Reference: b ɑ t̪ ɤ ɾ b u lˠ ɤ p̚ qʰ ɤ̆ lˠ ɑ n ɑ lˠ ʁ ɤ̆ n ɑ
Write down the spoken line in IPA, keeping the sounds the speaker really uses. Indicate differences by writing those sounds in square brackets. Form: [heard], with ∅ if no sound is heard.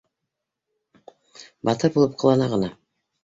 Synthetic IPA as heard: b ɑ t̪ ɤ ɾ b u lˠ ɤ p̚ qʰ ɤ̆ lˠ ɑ n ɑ [∅] ʁ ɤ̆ n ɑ